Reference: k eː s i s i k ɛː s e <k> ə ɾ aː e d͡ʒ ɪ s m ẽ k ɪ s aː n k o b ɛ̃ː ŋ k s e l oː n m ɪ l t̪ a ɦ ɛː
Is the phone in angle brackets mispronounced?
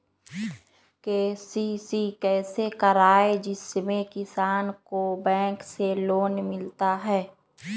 no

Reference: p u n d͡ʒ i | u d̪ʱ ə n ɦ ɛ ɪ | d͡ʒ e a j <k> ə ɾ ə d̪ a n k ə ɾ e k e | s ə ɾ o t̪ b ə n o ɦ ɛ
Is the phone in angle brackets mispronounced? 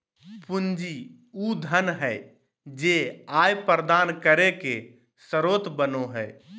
yes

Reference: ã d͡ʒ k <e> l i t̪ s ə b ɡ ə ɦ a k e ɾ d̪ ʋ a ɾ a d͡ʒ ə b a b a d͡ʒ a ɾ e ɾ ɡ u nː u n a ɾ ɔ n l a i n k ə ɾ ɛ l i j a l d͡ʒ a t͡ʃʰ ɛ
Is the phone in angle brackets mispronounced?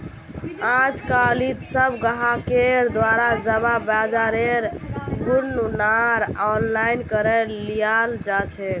yes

